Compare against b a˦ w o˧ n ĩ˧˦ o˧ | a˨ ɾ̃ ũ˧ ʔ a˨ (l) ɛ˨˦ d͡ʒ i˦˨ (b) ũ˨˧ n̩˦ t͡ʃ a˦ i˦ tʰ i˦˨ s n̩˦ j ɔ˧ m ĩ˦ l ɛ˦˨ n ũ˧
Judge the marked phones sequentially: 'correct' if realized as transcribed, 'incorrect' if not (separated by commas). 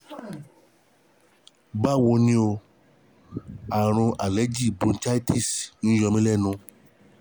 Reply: correct, correct